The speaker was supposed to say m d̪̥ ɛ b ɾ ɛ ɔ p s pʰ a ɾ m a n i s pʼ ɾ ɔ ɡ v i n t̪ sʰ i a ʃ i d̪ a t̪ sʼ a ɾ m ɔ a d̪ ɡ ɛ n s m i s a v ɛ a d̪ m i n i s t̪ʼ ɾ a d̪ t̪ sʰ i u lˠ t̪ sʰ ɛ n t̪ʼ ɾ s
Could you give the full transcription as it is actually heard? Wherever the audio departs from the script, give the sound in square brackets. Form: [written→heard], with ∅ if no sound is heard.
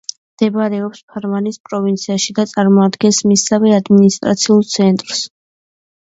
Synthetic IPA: m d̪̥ ɛ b ɾ ɛ ɔ p s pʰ a ɾ m a n i s pʼ ɾ ɔ [ɡ→∅] v i n t̪ sʰ i a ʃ i d̪ a t̪ sʼ a ɾ m ɔ a d̪ ɡ ɛ n s m i s a v ɛ a d̪ m i n i s t̪ʼ ɾ a [d̪→∅] t̪ sʰ i u lˠ t̪ sʰ ɛ n t̪ʼ ɾ s